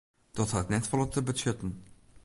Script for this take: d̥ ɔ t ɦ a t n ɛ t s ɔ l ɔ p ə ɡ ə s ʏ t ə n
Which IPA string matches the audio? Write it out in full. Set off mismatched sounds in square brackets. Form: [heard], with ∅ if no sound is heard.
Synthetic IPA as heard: d̥ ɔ t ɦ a t n ɛ t [f] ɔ l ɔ [t] ə [b] ə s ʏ t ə n